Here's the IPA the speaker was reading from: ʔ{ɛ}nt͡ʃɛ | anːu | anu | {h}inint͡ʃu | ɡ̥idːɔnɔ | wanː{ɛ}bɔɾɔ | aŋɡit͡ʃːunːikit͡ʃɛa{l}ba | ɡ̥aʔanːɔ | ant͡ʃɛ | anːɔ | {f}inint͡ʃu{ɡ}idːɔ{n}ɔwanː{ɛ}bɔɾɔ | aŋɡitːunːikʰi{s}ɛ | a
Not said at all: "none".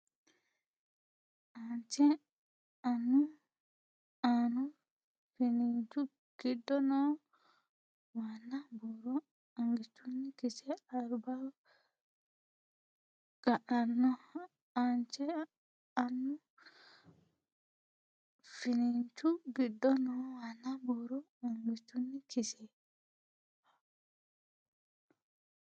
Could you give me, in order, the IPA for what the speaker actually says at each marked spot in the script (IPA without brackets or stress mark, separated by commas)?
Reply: a, f, a, ɾ, f, ɡ, n, a, s